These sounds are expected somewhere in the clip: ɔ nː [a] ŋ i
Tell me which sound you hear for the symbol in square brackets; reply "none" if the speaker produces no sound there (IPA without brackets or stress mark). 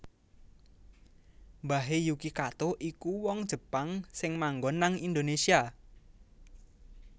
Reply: a